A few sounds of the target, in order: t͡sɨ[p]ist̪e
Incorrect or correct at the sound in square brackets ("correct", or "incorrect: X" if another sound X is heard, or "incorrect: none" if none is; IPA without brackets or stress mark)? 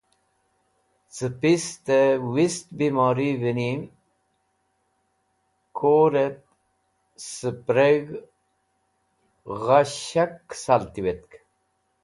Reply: correct